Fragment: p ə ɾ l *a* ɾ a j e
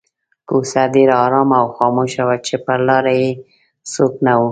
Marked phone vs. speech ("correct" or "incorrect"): incorrect